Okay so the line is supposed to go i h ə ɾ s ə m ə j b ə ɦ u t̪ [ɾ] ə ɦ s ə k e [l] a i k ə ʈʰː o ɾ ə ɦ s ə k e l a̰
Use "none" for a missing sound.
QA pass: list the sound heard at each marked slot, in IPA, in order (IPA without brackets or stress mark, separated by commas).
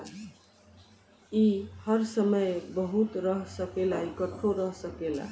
ɾ, l